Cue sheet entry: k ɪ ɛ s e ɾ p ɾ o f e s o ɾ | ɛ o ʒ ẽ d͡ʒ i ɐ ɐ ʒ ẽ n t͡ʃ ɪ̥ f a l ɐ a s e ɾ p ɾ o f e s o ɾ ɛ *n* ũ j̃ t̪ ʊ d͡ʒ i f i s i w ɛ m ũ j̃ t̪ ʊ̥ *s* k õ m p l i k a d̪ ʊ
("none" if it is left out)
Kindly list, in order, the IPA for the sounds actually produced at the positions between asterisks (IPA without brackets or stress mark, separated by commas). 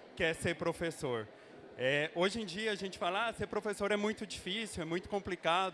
m, none